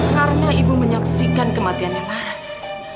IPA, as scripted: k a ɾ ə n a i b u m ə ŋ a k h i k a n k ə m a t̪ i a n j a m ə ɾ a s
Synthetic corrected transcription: k a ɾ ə n a i b u m ə ɲ a k s i k a n k ə m a t̪ i a n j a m a ɾ a s